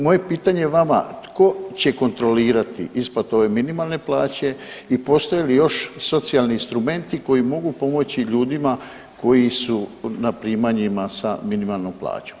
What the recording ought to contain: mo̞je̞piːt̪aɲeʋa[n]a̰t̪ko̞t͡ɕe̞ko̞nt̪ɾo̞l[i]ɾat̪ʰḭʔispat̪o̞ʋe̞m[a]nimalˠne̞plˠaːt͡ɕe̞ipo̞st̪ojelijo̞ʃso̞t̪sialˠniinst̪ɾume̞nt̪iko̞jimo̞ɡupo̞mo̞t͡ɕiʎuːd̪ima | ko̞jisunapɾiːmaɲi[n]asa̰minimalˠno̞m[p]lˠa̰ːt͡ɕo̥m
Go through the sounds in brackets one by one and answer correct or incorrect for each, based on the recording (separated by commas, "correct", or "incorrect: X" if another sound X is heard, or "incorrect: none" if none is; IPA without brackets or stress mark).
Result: incorrect: m, incorrect: iː, incorrect: i, incorrect: m, correct